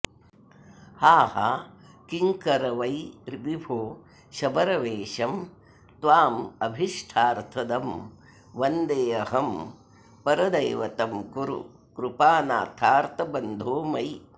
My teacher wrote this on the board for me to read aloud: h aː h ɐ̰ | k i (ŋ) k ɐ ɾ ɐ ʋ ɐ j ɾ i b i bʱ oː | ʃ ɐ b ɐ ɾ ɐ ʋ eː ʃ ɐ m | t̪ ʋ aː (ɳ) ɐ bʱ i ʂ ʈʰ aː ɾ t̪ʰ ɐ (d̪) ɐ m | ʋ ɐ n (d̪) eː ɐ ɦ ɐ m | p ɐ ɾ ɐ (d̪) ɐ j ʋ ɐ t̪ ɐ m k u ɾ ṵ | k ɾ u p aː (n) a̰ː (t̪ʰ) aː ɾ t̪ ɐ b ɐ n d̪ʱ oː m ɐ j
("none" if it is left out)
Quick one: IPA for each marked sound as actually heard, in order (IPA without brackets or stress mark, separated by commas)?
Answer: ŋ, m, d̪, d̪, d̪, n, t̪ʰ